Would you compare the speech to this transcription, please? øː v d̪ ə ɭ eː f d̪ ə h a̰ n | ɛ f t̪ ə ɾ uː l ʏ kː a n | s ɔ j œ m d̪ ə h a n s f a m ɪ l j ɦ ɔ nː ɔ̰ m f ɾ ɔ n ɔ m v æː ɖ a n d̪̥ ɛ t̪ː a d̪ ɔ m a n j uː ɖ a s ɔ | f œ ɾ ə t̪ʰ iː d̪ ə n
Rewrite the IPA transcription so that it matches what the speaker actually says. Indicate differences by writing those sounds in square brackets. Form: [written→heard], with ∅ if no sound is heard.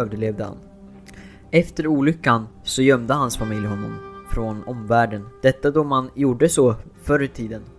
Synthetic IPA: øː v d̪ ə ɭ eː [f→v] d̪ ə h a̰ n | ɛ f t̪ ə ɾ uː l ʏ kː a n | s ɔ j œ m d̪ ə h a n s f a m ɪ l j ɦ ɔ nː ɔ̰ m f ɾ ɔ n ɔ m v æː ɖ [a→ə] n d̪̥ ɛ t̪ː a d̪ ɔ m a n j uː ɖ [a→ə] s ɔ | f œ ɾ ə t̪ʰ iː d̪ ə n